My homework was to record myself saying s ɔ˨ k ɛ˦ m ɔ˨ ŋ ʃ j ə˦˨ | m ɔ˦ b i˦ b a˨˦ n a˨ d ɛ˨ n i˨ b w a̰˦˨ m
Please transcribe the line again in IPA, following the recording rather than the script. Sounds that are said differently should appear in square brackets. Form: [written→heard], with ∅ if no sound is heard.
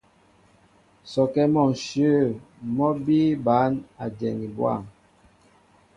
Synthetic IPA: s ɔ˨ k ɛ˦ m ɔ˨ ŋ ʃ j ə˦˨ | m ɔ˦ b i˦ b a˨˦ n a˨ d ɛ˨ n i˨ b w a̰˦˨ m